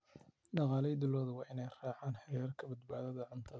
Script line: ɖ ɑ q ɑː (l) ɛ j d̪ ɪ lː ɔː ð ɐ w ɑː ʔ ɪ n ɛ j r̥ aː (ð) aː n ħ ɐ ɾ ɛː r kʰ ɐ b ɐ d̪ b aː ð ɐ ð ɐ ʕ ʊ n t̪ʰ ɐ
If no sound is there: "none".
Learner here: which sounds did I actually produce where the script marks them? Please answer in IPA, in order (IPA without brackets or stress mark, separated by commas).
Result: l, ʕ